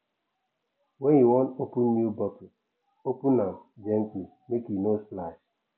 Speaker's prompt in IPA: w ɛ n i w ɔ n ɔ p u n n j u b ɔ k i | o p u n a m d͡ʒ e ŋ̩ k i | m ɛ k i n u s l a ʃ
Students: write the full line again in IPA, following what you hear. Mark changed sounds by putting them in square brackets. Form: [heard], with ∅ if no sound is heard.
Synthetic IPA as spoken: w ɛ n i w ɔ n [o] p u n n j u b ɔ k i | o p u n a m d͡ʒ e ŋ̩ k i | m [e] k i n [o] s l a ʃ